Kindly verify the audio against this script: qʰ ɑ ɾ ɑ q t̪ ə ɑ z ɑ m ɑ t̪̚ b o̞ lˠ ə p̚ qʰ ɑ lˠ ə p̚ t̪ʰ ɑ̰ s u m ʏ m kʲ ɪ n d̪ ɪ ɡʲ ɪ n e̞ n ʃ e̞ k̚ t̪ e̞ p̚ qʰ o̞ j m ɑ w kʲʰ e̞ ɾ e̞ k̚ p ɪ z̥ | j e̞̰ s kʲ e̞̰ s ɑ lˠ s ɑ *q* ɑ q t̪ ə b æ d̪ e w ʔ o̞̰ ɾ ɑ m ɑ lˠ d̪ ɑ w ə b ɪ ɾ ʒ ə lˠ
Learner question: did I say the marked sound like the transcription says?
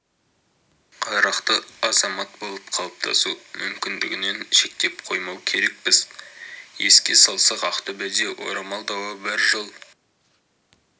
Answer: yes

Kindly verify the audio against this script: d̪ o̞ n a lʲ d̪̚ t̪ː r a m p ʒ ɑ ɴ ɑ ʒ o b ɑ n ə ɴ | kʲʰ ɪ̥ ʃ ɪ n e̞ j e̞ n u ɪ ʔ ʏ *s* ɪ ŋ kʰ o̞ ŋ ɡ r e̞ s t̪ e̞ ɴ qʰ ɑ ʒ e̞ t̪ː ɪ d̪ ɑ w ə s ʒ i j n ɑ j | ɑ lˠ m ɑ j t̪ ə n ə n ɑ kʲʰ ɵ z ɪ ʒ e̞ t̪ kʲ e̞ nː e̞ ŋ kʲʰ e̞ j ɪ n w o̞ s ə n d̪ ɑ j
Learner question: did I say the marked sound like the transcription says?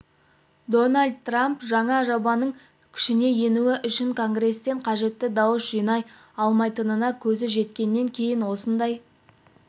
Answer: no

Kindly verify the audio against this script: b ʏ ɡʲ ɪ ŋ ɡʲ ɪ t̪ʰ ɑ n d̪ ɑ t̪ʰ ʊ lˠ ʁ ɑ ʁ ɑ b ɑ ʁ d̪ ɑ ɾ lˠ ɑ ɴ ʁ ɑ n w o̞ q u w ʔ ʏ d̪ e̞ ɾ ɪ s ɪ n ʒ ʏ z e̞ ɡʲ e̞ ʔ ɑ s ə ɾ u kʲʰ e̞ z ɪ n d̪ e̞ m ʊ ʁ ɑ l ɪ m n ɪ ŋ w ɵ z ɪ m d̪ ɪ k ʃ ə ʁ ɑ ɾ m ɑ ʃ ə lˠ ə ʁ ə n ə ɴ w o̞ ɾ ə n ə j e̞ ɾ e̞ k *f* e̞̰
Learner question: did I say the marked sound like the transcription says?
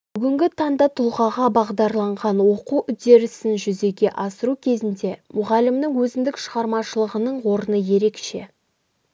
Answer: no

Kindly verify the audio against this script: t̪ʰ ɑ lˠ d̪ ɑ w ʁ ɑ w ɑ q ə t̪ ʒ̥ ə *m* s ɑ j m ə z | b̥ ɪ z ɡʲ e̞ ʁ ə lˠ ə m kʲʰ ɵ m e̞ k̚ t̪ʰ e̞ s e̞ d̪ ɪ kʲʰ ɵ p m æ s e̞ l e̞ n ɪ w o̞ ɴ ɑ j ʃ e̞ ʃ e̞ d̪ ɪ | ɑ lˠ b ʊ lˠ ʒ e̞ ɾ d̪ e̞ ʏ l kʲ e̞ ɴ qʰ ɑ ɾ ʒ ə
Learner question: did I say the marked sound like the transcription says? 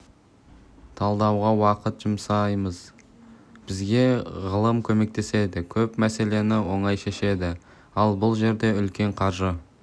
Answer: yes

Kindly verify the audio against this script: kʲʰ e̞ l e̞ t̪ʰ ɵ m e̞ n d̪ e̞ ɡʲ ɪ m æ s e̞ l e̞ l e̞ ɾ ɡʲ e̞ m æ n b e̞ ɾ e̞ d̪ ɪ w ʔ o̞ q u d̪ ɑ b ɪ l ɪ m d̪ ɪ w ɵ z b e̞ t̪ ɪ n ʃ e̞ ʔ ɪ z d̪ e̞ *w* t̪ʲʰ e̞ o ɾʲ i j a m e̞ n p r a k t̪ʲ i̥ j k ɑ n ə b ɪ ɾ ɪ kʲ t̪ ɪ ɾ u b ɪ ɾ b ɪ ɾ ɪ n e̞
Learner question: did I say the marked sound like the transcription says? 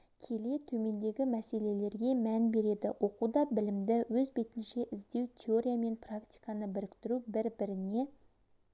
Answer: yes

